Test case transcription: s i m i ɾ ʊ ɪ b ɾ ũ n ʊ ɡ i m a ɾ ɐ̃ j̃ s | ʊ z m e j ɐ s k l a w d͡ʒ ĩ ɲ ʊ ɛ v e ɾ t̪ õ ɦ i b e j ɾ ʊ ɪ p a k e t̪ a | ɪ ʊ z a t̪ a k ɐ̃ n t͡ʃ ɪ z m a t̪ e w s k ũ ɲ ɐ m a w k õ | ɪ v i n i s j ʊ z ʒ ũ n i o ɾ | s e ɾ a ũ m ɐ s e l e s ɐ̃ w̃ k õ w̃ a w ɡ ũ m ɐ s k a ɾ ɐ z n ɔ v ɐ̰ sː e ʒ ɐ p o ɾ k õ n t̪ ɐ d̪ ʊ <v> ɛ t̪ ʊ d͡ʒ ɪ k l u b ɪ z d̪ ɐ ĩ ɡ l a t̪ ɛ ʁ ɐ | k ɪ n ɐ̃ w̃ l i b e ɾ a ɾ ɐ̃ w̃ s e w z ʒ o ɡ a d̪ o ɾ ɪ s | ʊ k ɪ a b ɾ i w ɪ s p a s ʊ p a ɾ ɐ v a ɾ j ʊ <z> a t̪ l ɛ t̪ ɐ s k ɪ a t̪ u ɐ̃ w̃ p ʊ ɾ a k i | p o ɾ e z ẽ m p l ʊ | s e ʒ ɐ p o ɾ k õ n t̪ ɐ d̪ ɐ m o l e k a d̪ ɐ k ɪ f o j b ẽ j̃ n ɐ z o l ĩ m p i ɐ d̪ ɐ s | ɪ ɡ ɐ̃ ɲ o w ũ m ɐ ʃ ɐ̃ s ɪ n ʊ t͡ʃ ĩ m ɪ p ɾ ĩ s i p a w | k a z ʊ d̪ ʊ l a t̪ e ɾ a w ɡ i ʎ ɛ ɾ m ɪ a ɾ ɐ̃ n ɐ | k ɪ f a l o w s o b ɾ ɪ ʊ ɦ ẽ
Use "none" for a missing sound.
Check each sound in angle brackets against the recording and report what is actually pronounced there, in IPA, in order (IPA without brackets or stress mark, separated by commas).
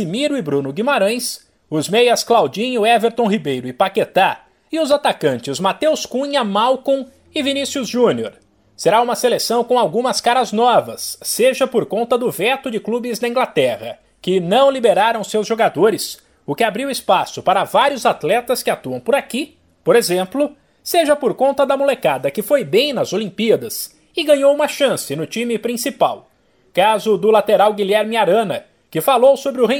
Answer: v, z